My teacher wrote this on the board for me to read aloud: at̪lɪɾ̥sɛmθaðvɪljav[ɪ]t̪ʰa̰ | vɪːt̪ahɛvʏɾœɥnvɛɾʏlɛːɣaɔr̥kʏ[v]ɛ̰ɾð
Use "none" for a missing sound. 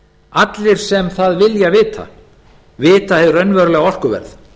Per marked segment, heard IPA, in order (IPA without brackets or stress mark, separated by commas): ɪː, v